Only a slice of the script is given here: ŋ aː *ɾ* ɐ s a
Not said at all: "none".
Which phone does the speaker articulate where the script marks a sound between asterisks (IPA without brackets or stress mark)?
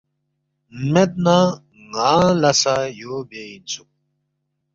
l